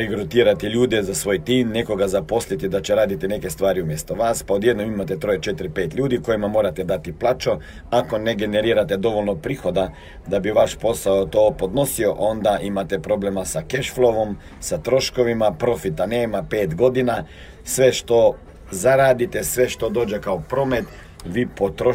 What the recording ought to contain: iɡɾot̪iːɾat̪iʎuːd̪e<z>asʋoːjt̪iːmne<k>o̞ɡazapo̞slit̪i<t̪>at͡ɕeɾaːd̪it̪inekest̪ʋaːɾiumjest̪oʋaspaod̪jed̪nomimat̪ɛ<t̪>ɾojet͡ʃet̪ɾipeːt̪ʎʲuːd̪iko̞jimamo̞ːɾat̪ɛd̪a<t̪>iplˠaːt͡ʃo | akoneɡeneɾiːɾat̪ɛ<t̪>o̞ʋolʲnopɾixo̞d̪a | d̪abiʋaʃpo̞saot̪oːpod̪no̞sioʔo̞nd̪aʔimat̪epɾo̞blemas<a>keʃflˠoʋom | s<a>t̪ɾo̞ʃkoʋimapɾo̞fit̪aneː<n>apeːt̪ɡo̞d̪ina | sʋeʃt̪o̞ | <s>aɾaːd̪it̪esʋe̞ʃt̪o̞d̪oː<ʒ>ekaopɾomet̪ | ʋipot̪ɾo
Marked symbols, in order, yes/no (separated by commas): yes, yes, no, yes, yes, no, yes, yes, no, no, no